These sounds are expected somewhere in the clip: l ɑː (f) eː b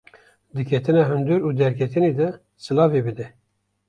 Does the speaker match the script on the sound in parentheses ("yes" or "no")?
no